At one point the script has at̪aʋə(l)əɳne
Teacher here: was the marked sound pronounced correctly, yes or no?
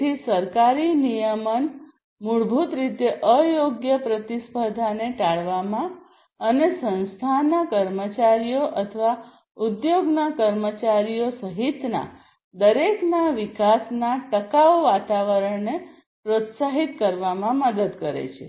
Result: no